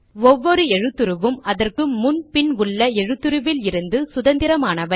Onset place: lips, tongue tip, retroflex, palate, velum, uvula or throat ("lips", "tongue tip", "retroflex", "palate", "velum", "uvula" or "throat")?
lips